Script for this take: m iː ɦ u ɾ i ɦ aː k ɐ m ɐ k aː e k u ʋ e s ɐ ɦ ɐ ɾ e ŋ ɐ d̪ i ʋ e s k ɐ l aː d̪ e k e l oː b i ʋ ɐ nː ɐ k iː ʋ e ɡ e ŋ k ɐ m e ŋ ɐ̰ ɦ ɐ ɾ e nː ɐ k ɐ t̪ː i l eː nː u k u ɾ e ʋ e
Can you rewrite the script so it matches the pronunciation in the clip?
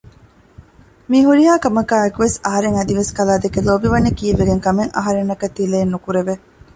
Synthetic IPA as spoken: m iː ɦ u ɾ i ɦ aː k ɐ m ɐ k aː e k u ʋ e s ɐ ɦ ɐ ɾ e ŋ ɐ d̪ i ʋ e s k ɐ l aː d̪ e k e l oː b i ʋ ɐ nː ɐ k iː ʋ e ɡ e ŋ k ɐ m e ŋ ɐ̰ ɦ ɐ ɾ e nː ɐ k ɐ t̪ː i l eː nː u k u ɾ e ʋ e